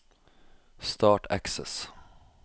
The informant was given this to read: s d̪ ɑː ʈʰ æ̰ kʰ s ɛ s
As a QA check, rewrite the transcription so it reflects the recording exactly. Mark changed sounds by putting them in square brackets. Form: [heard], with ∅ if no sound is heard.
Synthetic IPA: s [t̪] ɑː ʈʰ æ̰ [k] s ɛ s